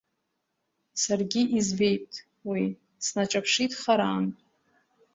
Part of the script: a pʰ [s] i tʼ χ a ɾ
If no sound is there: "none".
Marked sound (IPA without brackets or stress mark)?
ʂ